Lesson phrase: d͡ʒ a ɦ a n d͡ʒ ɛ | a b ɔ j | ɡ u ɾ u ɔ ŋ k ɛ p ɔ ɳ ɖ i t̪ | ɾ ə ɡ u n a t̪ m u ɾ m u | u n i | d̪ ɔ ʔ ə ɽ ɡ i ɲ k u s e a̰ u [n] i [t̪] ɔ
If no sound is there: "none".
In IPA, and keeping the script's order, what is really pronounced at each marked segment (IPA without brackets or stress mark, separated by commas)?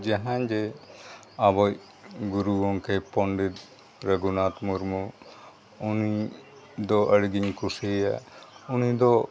n, d̪